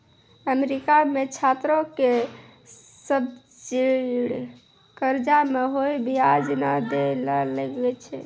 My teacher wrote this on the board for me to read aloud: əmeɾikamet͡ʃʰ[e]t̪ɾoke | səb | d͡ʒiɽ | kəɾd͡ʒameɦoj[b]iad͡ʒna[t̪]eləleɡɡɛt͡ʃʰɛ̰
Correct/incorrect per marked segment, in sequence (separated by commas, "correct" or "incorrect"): incorrect, correct, incorrect